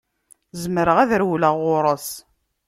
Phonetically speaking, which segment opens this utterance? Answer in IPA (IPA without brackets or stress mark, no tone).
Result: z